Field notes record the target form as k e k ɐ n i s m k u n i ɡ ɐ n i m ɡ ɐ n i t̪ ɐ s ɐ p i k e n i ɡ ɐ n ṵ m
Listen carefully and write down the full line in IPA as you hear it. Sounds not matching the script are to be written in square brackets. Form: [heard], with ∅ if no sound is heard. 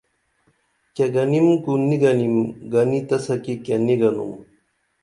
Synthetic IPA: k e [ɡ] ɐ n i [∅] m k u n i ɡ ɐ n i m ɡ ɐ n i t̪ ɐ s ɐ [k] i k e n i ɡ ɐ n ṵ m

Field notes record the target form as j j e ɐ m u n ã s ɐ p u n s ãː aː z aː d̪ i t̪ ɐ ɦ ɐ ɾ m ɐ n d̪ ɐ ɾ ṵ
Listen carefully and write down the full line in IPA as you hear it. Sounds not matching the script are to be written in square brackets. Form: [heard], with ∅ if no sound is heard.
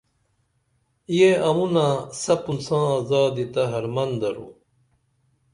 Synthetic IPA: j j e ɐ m u n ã s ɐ p u n s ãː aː z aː d̪ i t̪ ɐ ɦ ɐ ɾ m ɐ n d̪ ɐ ɾ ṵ

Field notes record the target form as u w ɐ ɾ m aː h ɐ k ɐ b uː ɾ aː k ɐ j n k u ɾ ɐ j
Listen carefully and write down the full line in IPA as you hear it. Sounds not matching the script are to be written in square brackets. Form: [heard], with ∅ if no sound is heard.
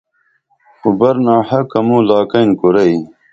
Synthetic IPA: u [b] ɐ ɾ [n] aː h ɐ k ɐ [m] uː [l] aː k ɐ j n k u ɾ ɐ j

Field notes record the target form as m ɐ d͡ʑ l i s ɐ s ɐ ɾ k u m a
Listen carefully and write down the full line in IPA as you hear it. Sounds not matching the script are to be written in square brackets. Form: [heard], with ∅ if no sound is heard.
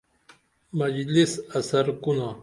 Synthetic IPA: m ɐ d͡ʑ l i s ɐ s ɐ ɾ k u [n] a

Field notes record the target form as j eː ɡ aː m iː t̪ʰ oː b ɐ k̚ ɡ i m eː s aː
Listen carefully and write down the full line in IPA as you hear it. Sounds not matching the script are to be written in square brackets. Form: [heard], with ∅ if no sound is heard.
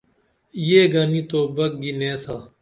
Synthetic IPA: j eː ɡ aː [n] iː [t̪] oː b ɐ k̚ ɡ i [n] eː s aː

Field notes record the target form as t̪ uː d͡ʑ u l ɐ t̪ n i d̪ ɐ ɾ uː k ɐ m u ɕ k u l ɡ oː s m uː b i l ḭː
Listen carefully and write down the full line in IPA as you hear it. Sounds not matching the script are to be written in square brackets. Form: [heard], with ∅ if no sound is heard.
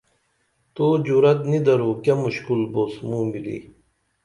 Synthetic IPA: t̪ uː d͡ʑ u [ɾ] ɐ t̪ n i d̪ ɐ ɾ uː k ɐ m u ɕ k u l [b] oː s m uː [m] i l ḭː

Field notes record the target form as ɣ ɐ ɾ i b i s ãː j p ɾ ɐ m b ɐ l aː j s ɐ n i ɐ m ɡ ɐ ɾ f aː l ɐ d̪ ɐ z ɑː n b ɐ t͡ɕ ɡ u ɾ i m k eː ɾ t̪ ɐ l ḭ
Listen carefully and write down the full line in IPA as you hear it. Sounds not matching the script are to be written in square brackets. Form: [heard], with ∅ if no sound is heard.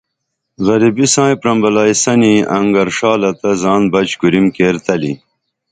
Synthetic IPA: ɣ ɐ ɾ i b i s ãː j p ɾ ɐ m b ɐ l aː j s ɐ n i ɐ [ŋ] ɡ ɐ ɾ [ʂ] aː l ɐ [t̪] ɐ z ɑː n b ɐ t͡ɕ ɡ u ɾ i m k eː ɾ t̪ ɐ l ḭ

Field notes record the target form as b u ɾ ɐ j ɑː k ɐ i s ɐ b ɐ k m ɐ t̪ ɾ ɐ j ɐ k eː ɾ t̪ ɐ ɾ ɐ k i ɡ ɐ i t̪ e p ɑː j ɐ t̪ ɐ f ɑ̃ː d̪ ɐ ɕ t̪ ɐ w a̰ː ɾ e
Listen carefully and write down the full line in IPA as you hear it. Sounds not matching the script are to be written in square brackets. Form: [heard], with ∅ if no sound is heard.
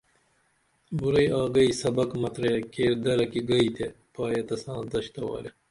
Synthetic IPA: b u ɾ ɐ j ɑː [ɡ] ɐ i s ɐ b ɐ k m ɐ t̪ ɾ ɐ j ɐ k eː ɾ [d̪] ɐ ɾ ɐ k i ɡ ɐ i t̪ e p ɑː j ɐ t̪ ɐ [s] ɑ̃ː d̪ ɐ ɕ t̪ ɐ w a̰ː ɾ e

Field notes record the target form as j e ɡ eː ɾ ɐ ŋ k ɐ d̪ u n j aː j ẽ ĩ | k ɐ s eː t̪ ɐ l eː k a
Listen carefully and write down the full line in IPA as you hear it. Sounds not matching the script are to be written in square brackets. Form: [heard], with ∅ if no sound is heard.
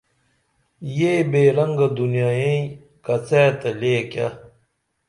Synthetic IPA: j e [b] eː ɾ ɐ ŋ [ɡ] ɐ d̪ u n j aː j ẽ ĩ | k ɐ [t͡s] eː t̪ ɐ l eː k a

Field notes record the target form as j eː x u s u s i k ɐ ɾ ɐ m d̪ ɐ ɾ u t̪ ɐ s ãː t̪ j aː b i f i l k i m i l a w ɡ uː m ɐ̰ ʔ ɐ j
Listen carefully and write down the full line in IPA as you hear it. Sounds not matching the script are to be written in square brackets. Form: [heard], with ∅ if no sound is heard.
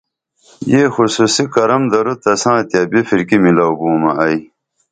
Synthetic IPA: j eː x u s u s i k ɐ ɾ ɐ m d̪ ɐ ɾ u t̪ ɐ s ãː t̪ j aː b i f i [ɾ] k i m i l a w [b] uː m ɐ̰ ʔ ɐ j

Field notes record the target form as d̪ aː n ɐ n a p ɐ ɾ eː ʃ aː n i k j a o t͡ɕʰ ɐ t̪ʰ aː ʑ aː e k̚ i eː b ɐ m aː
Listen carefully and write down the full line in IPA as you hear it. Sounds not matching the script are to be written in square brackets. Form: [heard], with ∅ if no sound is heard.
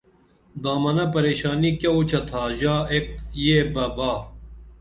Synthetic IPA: d̪ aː [m] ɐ n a p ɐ ɾ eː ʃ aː n i k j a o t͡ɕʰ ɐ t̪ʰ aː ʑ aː e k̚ [j] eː b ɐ [b] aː

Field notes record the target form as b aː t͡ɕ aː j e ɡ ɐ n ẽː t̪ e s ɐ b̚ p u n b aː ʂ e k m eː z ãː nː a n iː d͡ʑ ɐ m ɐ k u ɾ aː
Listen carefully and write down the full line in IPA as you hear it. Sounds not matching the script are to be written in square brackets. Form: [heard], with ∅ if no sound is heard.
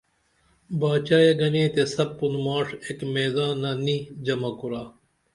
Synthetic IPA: b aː t͡ɕ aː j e ɡ ɐ n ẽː t̪ e s ɐ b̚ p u n [m] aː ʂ e k m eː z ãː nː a n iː d͡ʑ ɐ m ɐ k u ɾ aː

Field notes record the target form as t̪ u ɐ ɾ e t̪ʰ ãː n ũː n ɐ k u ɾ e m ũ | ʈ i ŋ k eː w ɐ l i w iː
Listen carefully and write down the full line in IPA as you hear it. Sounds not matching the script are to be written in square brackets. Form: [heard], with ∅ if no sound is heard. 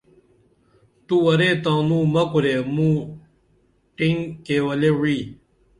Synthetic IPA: t̪ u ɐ ɾ e [t̪] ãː n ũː [m] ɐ k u ɾ e m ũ | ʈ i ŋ k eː w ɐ l [e] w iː

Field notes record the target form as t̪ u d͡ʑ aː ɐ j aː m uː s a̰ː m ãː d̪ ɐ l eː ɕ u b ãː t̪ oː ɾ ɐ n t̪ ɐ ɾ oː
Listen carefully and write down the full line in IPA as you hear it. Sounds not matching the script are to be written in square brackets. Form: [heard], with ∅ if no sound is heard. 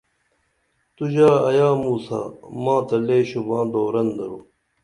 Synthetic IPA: t̪ u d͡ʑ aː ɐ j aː m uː s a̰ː m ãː [t̪] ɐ l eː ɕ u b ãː [d̪] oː ɾ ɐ n [d̪] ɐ ɾ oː

